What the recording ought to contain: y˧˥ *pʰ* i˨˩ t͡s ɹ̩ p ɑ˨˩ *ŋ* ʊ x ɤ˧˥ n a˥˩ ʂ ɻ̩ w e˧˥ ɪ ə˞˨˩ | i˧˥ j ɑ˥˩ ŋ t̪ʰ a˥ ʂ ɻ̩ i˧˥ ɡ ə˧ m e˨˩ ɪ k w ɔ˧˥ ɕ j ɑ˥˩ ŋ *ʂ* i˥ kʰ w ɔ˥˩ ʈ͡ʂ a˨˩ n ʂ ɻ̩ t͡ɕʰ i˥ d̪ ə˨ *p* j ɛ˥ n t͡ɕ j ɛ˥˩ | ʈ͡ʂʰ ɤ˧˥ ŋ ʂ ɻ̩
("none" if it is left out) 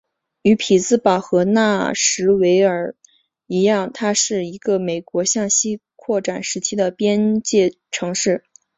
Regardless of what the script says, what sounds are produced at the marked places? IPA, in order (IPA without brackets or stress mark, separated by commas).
pʰ, none, ɕ, p